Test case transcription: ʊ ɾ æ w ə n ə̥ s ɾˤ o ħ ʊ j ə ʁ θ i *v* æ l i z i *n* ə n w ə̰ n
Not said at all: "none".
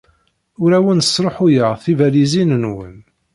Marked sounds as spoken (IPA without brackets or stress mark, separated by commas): v, n